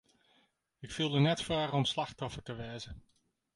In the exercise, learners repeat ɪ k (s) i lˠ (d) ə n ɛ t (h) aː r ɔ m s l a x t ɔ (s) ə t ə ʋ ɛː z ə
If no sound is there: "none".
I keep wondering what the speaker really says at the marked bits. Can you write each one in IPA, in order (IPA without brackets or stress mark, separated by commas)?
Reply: f, d, f, f